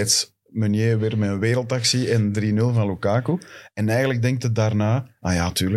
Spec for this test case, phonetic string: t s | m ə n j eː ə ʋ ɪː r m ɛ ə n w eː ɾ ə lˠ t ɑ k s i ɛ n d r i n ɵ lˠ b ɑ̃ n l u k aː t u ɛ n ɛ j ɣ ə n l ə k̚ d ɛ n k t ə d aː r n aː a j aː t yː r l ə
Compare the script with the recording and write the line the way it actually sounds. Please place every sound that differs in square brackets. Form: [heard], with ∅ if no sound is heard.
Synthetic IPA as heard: t s | m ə n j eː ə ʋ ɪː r m ɛ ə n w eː ɾ ə lˠ t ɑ k s i ɛ n d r i n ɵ lˠ [v] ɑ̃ n l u k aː [k] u ɛ n ɛ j ɣ ə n l ə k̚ d ɛ [ŋ] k t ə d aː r n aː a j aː t yː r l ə